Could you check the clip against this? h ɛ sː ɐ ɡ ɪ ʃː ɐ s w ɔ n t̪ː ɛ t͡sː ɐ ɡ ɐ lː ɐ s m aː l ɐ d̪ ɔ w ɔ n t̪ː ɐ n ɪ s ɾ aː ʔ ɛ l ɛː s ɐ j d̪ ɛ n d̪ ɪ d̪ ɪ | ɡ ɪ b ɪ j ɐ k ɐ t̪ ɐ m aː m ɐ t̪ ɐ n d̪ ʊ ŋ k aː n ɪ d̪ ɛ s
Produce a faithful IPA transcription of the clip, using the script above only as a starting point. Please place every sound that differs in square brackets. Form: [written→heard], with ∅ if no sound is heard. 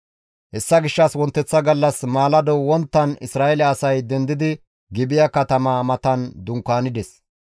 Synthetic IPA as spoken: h ɛ sː ɐ ɡ ɪ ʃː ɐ s w ɔ n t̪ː ɛ t͡sː ɐ ɡ ɐ lː ɐ s m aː l ɐ d̪ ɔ w ɔ n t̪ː ɐ n ɪ s ɾ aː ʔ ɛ l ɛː s ɐ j d̪ ɛ n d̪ ɪ d̪ ɪ | ɡ ɪ b ɪ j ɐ k ɐ t̪ ɐ m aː m ɐ t̪ ɐ n d̪ ʊ ŋ k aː n ɪ d̪ ɛ s